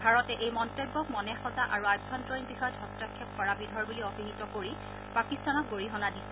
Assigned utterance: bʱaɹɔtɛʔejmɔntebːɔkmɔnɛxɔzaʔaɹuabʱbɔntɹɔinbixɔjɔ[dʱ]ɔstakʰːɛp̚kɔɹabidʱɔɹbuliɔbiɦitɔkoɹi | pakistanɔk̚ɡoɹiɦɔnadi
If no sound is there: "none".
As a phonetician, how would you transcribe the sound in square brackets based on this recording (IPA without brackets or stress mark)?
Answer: dʱ